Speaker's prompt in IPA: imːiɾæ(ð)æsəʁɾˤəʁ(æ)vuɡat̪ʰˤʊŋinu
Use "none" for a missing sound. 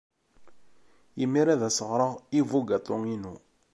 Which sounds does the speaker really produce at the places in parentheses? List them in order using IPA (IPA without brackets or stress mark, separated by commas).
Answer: ð, i